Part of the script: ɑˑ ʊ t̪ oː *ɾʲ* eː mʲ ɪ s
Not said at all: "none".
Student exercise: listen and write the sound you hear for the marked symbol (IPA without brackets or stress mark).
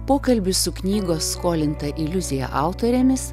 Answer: ɾʲ